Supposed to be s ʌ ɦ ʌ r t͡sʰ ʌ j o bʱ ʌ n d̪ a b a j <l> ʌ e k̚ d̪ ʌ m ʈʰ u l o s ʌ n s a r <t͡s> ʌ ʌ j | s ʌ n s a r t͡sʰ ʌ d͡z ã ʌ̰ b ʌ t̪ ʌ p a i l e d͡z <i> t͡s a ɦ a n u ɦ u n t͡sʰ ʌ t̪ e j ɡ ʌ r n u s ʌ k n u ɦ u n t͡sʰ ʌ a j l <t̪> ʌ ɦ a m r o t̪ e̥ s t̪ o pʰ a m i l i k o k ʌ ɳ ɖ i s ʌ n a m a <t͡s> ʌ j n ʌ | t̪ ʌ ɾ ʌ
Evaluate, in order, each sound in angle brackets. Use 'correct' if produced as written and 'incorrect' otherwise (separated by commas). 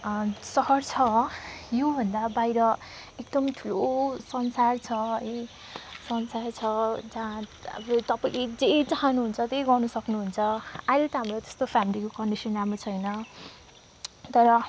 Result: incorrect, incorrect, incorrect, correct, incorrect